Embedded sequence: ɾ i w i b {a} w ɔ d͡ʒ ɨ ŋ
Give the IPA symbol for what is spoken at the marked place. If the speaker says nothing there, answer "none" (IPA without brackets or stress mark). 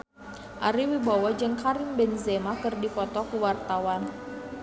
a